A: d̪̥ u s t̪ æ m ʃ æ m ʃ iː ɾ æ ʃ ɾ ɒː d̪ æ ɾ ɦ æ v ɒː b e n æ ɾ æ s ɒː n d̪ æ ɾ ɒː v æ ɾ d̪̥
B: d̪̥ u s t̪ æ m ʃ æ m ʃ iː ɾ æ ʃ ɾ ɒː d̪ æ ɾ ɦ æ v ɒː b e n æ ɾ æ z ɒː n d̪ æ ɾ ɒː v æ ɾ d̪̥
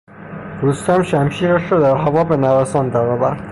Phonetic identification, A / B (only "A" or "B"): A